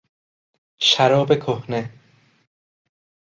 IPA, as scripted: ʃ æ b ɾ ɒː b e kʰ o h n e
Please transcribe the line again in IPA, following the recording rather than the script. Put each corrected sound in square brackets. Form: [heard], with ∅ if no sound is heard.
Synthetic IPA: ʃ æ [∅] ɾ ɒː b e kʰ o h n e